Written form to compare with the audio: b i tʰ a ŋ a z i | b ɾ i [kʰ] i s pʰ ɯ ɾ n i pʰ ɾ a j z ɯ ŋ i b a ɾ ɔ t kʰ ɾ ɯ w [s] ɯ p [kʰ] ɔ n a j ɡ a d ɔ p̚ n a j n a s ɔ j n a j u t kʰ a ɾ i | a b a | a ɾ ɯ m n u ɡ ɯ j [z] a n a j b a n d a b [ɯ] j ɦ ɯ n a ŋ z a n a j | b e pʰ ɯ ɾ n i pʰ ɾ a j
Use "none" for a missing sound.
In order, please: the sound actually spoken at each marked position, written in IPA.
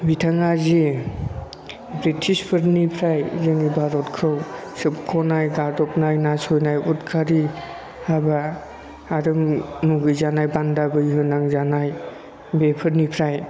tʰ, s, kʰ, z, ɯ

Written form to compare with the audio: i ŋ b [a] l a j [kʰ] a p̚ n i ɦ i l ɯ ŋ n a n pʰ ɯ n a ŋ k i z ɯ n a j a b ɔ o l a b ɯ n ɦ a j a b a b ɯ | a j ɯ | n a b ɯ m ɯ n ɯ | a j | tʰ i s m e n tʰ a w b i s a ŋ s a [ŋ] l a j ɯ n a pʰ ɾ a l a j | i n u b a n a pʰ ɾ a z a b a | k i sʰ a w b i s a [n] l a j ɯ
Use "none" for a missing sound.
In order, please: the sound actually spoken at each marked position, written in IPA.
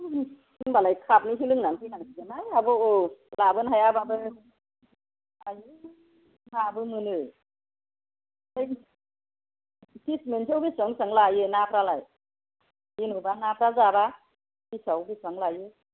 a, kʰ, ŋ, ŋ

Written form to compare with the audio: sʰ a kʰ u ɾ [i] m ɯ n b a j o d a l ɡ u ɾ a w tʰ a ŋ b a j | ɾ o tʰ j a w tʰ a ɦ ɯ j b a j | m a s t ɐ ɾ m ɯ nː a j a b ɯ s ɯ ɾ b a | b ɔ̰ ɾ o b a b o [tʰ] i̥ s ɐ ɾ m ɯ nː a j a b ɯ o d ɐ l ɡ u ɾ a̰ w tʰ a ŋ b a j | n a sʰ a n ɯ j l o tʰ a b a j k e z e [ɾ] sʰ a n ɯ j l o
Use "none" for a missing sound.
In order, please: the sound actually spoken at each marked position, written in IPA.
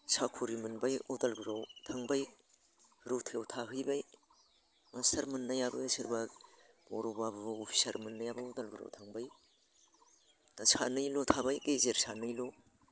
i, pʰ, ɾ

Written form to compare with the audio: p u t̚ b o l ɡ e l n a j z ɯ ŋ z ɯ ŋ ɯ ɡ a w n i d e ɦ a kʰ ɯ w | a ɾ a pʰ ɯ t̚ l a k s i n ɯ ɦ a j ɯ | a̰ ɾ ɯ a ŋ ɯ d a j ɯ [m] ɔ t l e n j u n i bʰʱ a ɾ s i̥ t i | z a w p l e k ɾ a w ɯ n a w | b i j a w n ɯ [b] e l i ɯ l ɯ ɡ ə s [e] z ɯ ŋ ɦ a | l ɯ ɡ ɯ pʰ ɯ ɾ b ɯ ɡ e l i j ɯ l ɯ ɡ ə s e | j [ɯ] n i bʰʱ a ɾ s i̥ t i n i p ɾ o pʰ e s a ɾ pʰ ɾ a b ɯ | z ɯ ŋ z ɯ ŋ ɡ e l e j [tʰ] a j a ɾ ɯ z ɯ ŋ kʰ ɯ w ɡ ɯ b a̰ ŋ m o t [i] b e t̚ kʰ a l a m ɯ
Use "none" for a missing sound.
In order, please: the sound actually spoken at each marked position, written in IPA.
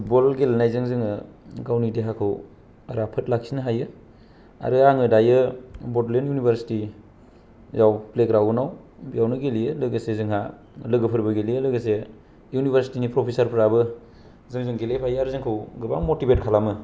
b, ɡ, e, u, pʰ, i

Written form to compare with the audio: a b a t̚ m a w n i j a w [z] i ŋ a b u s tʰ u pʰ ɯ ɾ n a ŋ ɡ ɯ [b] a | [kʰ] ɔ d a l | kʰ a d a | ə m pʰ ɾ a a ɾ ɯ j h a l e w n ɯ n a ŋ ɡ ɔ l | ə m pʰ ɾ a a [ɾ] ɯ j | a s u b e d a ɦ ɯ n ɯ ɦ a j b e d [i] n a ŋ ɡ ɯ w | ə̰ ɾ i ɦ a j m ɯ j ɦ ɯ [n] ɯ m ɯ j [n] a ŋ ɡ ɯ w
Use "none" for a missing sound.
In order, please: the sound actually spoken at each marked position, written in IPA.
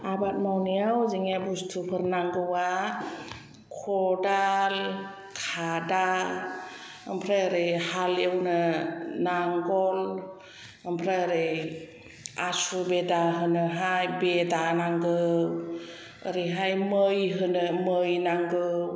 z, w, kʰ, ɾ, a, n, n

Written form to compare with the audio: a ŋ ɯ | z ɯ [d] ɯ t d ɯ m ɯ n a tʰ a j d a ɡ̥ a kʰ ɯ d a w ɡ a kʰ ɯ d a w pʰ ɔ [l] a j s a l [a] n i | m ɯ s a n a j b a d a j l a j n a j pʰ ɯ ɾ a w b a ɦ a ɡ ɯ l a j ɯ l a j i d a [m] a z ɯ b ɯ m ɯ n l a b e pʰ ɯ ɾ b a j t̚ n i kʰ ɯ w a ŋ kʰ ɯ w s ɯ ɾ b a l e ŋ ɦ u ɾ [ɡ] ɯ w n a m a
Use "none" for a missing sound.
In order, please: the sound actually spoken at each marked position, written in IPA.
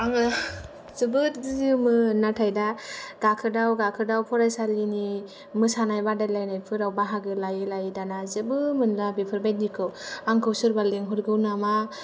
b, ɾ, i, n, ɡ

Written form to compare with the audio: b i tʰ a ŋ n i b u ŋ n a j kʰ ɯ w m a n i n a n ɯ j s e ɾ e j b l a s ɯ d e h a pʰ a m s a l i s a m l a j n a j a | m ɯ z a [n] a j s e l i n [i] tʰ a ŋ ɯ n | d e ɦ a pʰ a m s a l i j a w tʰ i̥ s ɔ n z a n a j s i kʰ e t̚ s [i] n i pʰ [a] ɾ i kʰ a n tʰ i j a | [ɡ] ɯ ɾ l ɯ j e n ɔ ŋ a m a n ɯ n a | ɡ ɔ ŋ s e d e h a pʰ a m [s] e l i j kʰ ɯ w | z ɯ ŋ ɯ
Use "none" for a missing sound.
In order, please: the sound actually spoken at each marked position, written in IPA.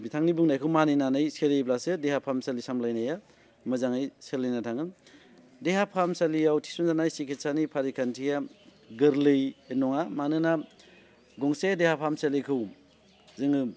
ŋ, a, a, a, ɡ, s

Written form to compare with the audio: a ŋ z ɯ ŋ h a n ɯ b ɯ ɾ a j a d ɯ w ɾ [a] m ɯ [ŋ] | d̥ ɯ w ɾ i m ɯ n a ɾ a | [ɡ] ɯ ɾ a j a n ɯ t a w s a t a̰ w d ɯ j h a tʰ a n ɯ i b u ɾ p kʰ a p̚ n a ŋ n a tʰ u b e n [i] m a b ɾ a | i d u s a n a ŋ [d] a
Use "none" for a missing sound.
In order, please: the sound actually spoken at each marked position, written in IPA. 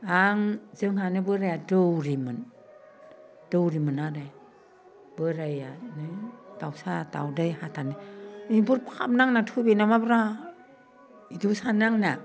i, n, b, a, n

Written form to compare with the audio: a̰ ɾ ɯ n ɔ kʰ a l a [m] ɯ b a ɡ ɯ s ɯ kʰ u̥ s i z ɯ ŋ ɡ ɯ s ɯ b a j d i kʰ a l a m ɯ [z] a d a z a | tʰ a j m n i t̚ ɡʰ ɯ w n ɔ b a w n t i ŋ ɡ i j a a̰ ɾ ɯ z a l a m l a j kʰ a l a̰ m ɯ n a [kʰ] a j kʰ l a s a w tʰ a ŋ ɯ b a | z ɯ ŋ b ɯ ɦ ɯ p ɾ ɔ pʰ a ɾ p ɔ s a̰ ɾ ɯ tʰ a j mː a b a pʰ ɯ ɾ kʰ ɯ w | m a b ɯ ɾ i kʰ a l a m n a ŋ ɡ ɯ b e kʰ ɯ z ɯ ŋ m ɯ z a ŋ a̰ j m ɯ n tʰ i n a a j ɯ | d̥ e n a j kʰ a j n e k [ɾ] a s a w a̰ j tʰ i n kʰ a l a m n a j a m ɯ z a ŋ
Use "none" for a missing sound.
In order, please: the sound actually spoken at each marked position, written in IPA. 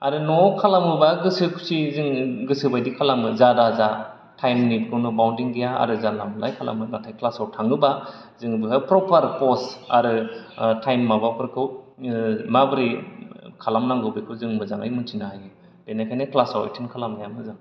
m, z, tʰ, l

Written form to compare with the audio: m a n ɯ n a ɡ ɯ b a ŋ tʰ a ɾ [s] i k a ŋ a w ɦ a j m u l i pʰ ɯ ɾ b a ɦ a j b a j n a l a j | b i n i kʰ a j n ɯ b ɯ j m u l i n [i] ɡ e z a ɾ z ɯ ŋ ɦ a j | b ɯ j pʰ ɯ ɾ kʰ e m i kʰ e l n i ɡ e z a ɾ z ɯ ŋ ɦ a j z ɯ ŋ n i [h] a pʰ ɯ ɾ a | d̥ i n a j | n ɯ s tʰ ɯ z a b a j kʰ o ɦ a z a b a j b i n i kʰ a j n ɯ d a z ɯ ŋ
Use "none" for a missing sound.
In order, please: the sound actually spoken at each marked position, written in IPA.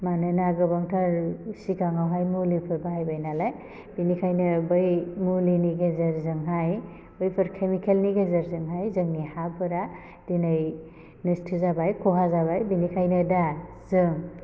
s, i, h

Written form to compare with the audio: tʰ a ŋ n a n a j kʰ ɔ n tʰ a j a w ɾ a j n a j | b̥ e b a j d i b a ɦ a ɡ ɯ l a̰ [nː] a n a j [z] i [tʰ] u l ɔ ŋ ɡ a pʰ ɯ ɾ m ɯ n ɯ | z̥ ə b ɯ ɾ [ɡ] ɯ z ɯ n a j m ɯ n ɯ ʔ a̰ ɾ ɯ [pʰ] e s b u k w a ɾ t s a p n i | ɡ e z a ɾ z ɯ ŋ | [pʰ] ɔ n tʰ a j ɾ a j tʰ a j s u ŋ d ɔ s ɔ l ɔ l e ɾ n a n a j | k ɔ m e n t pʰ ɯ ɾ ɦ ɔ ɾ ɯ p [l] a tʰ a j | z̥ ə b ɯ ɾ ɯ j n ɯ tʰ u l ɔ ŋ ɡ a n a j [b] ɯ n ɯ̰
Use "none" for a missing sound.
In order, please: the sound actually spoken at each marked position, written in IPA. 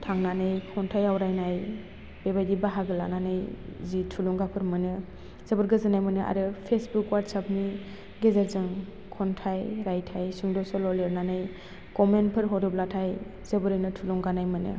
n, z, tʰ, ɡ, pʰ, kʰ, l, m

